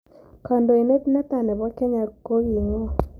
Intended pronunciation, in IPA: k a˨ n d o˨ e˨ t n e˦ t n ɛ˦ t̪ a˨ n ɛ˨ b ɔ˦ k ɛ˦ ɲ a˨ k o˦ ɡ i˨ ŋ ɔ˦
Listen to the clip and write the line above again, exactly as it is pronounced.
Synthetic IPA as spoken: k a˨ n d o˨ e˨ n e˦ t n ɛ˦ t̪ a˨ n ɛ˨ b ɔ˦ k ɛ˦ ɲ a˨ k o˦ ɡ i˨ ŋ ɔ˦